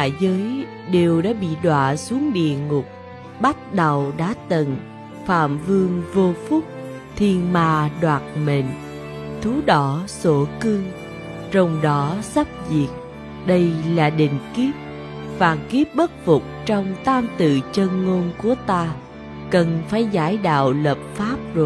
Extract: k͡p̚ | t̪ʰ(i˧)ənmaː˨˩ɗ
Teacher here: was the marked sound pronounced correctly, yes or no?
no